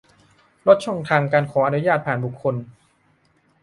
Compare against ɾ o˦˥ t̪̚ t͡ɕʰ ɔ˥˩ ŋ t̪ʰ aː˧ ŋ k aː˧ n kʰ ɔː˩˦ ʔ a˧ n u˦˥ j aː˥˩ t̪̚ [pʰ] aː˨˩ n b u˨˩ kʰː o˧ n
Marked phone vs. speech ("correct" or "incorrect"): correct